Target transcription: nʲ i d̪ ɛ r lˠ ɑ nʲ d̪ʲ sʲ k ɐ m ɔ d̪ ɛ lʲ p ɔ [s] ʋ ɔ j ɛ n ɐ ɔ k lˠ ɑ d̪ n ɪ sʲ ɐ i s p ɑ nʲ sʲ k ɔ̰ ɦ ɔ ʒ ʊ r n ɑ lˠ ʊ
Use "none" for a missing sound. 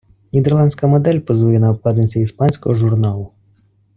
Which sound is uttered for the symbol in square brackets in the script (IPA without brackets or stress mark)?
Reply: z